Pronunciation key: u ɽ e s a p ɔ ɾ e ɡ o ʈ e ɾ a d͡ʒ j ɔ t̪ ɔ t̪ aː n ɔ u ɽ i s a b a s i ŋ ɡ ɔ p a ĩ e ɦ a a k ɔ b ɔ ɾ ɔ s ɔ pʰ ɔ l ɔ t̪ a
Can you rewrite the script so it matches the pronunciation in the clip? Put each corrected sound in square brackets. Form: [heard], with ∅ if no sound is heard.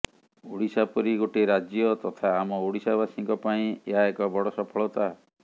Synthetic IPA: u ɽ [i] s a p ɔ ɾ [i] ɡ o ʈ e ɾ a d͡ʒ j ɔ t̪ ɔ [t̪ʰ] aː [m] ɔ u ɽ i s a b a s i ŋ [k] ɔ p a ĩ e ɦ a [e] k ɔ b ɔ [ɽ] ɔ s ɔ pʰ ɔ [ɭ] ɔ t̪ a